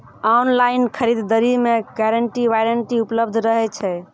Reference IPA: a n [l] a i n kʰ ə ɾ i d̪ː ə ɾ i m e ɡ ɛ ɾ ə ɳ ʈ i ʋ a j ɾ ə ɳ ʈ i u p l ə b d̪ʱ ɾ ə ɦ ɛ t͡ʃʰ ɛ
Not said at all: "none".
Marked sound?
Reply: l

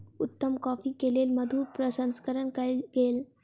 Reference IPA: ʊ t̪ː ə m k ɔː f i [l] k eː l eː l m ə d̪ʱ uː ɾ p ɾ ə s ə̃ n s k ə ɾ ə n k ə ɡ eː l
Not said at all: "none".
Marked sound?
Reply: none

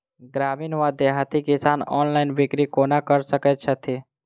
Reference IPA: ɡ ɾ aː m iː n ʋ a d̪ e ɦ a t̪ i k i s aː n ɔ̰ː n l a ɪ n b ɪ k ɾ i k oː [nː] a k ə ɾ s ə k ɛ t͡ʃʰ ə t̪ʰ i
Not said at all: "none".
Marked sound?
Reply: n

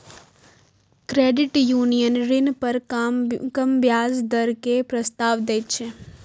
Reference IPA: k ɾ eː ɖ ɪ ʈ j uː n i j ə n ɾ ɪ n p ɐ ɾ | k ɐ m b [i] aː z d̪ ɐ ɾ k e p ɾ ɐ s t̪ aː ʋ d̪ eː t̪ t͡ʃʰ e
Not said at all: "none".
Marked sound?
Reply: j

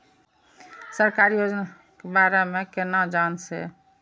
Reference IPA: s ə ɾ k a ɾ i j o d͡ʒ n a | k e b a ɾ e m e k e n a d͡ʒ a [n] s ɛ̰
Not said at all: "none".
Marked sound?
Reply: n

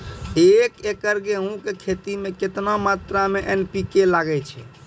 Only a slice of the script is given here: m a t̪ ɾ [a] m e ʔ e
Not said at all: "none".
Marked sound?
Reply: a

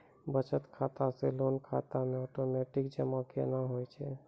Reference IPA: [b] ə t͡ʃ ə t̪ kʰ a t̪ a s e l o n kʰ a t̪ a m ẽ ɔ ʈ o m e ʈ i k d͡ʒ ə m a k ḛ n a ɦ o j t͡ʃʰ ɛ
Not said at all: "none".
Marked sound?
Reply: b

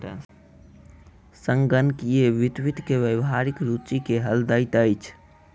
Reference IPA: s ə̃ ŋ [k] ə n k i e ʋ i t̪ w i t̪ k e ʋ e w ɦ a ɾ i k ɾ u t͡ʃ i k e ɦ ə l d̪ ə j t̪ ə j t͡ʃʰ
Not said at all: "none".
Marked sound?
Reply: ɡ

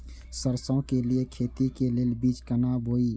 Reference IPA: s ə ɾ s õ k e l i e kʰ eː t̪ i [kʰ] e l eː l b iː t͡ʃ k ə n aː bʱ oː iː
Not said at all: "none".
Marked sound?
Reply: k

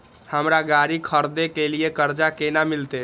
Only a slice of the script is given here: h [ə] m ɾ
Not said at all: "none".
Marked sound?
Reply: ə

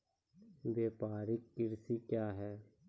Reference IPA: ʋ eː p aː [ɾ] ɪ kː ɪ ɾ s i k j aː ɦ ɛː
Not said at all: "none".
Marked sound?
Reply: ɾ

